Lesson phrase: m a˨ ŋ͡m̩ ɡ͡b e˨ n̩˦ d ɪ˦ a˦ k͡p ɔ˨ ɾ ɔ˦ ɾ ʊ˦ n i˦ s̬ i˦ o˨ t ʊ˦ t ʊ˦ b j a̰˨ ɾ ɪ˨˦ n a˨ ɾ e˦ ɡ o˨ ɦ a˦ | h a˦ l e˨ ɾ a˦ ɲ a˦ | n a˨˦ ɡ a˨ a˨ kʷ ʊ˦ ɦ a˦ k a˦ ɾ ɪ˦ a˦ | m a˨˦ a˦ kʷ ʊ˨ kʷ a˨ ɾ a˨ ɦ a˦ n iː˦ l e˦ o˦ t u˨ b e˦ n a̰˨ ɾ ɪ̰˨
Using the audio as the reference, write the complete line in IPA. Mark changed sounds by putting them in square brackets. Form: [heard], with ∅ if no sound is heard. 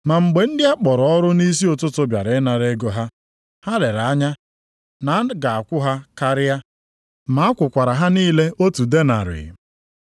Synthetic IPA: m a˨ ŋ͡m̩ ɡ͡b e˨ n̩˦ d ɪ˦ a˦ k͡p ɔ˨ ɾ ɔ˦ ɾ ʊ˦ n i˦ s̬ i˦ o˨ t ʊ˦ t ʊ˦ b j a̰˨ ɾ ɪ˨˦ n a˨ ɾ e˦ ɡ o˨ ɦ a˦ | h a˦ l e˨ ɾ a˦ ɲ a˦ | n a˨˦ ɡ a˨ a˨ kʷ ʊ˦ ɦ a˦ k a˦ ɾ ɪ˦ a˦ | m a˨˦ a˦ kʷ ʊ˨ kʷ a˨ ɾ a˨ ɦ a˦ n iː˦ l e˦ o˦ t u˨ [d] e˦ n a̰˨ ɾ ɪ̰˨